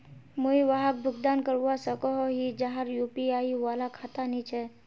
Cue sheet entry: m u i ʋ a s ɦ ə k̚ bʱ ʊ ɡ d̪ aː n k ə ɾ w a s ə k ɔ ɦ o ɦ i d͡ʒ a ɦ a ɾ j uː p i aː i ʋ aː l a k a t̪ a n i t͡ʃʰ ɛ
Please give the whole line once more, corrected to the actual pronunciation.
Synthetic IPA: m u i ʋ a ɦ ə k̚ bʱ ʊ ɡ d̪ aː n k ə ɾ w a s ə k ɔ ɦ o ɦ i d͡ʒ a ɦ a ɾ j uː p i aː i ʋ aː l a kʰ a t̪ a n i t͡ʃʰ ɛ